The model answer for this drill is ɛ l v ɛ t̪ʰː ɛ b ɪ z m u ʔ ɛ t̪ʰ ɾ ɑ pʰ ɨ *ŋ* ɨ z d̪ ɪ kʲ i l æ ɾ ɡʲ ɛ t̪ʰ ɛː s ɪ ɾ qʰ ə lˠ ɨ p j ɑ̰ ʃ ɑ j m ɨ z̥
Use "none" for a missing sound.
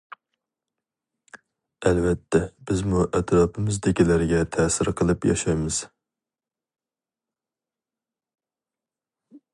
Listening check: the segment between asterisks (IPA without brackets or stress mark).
m